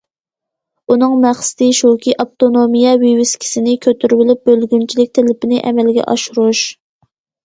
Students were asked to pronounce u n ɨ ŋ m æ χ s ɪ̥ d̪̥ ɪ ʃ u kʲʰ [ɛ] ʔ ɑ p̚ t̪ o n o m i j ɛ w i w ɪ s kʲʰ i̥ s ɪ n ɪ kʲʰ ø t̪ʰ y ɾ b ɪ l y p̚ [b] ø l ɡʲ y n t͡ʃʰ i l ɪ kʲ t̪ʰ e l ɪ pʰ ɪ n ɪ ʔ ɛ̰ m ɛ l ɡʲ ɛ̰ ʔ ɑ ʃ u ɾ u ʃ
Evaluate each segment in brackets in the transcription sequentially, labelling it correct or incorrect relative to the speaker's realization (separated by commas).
incorrect, correct